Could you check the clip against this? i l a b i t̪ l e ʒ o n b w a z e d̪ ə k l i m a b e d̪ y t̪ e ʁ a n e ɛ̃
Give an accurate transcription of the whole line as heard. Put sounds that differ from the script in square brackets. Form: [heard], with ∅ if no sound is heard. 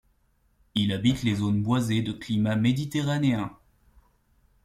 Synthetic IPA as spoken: i l a b i t̪ l e [z] o n b w a z e d̪ ə k l i m a [m] e d̪ [i] t̪ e ʁ a n e ɛ̃